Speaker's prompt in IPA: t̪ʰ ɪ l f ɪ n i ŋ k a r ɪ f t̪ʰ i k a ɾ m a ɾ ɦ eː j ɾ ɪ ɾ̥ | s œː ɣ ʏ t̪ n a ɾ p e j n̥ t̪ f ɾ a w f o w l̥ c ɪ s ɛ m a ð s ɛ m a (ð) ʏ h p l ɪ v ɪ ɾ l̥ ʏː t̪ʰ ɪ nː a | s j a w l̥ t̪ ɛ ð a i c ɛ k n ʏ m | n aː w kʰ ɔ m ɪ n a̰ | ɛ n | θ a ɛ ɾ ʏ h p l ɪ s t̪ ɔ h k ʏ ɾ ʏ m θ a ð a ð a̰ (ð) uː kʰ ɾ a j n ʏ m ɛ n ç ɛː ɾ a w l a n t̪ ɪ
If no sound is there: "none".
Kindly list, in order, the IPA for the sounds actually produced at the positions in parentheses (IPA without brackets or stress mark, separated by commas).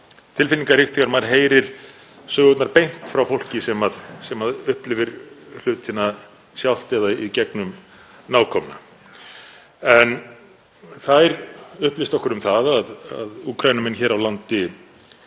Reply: ð, ð